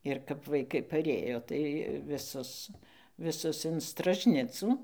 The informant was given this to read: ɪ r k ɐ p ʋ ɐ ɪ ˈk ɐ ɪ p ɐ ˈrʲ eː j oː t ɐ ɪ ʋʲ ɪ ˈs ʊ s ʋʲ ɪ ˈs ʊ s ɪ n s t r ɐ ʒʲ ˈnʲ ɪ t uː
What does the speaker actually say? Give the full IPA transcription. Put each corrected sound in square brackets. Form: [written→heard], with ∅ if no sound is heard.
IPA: ɪ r k ɐ p ʋ ɐ ɪ ˈk ɐ ɪ p ɐ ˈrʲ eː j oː t ɐ ɪ ʋʲ ɪ ˈs ʊ s ʋʲ ɪ ˈs ʊ s ɪ n s t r ɐ ʒʲ ˈnʲ ɪ [t→t͡s] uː